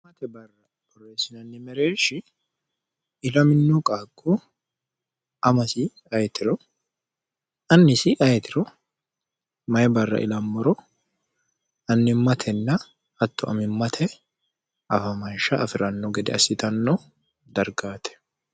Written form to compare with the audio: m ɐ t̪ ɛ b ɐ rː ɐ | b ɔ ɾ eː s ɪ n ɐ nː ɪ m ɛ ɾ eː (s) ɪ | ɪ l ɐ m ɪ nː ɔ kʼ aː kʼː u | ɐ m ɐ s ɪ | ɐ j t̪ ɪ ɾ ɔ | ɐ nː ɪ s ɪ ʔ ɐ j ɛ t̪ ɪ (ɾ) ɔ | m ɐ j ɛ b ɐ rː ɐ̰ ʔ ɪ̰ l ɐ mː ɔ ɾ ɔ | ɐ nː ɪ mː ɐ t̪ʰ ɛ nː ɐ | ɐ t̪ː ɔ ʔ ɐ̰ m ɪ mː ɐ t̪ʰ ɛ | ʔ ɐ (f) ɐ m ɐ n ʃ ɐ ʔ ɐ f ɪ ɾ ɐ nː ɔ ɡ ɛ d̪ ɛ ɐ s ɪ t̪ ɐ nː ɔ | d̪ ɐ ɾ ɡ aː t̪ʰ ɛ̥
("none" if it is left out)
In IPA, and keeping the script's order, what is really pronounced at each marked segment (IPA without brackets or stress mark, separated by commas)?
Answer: ʃ, ɾ, f